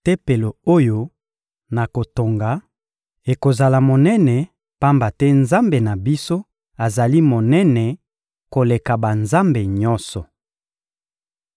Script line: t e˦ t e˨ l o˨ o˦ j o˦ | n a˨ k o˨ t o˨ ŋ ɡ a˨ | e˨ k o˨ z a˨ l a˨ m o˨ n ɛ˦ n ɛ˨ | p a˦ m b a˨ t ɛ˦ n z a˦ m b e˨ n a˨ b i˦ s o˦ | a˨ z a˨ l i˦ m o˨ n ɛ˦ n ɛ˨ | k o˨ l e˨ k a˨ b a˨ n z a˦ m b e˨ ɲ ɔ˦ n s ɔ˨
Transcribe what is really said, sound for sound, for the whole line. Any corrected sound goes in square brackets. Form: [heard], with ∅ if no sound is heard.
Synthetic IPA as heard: t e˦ [p] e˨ l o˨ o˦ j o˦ | n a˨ k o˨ t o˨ ŋ ɡ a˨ | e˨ k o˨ z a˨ l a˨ m o˨ n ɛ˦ n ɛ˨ | p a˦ m b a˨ t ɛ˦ n z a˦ m b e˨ n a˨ b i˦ s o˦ | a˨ z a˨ l i˦ m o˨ n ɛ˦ n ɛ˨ | k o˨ l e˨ k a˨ b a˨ n z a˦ m b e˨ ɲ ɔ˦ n s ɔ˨